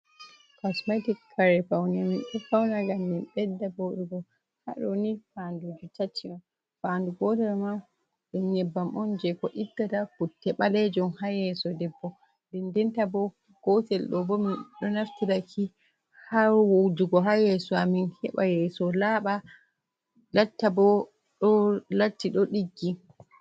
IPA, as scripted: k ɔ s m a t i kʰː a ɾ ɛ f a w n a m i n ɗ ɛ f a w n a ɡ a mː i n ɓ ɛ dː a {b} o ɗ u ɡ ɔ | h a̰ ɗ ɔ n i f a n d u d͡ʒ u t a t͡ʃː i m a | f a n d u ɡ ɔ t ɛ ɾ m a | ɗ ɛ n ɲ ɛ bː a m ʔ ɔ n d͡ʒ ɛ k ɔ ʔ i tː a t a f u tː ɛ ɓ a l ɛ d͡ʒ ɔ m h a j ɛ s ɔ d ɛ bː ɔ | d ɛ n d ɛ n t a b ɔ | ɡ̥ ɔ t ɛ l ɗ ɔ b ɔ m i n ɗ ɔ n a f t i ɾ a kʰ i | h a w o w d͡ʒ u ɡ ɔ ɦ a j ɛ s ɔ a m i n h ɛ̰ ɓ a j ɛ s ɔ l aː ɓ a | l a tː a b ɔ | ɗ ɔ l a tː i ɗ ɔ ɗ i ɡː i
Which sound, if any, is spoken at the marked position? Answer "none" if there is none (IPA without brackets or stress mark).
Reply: b